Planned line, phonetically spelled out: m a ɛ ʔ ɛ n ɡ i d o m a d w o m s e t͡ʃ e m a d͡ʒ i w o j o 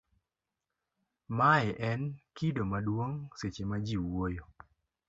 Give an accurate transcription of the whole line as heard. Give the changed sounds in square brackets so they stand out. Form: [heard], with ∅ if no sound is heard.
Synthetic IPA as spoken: m a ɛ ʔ ɛ n [k] i d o m a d w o [ŋ] s e t͡ʃ e m a d͡ʒ i w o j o

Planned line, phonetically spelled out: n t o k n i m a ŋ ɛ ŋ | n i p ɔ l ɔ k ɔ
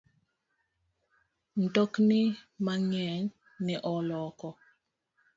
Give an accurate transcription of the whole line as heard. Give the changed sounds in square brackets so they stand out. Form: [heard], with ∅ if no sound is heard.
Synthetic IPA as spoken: n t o k n i m a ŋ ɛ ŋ | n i [ʔ] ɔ l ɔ k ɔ

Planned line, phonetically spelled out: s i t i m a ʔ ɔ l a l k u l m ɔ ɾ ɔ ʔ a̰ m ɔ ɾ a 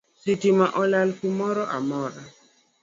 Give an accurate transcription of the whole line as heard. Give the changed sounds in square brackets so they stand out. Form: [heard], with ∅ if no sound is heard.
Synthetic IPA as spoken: s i t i m a ʔ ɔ l a l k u [∅] m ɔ ɾ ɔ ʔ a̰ m ɔ ɾ a

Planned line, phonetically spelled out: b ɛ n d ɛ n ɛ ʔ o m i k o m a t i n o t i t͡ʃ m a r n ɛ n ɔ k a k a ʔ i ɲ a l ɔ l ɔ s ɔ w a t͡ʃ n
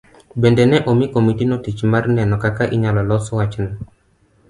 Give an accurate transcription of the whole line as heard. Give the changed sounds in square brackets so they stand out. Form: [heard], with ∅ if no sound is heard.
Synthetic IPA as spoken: b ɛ n d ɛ n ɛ ʔ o m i k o m [i] t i n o t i t͡ʃ m a r n ɛ n ɔ k a k a ʔ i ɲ a l ɔ l ɔ s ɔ w a t͡ʃ n

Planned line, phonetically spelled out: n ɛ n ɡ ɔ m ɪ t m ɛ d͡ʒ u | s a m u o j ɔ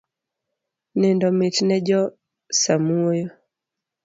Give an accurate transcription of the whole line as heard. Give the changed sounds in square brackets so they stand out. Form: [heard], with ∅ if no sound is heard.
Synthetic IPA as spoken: n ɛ n [d] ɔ m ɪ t [n] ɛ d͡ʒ [ɔ] | s a m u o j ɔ

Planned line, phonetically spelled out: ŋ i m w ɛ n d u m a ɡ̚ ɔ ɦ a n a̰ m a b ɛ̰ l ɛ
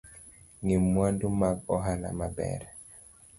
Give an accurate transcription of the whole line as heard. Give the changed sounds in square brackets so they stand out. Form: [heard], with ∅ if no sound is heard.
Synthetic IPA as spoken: ŋ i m w [a] n d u m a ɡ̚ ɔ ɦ a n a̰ m a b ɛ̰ [ɾ] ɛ

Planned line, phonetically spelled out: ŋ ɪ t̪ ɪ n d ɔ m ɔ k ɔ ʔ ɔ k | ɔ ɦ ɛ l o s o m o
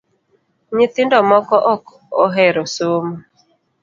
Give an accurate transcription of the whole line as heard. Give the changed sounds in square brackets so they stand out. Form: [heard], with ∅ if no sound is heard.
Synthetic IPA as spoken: [ɲ] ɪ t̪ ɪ n d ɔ m ɔ k ɔ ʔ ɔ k | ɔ ɦ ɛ [ɾ] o s o m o

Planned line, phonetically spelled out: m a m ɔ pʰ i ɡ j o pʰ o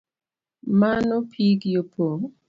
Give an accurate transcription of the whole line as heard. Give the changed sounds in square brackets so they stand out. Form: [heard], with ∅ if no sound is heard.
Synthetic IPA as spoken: m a [n] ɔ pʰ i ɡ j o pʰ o

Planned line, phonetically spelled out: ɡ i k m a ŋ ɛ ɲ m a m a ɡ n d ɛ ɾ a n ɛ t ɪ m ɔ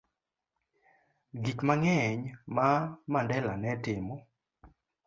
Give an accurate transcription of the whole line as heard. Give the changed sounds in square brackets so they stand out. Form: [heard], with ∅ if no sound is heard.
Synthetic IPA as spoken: ɡ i k m a ŋ ɛ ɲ m a m a [∅] n d ɛ [l] a n ɛ t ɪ m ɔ

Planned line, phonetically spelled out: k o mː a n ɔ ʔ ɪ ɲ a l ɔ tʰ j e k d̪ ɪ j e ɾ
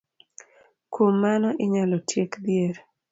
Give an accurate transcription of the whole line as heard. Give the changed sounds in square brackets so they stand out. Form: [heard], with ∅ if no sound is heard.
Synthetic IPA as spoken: k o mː a n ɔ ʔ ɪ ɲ a l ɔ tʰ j e k d̪ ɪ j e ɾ

